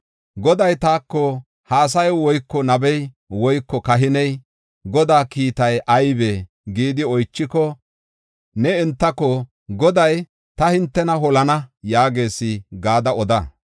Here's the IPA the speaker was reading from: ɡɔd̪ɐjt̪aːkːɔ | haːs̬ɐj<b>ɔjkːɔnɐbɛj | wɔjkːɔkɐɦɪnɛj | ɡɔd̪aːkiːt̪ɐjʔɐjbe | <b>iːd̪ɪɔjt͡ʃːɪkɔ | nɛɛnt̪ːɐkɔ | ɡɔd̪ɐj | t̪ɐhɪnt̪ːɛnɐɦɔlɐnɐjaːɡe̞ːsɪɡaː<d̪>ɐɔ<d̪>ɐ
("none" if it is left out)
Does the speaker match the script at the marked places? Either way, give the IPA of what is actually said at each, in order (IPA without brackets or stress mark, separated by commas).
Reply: w, ɡ, d̪, d̪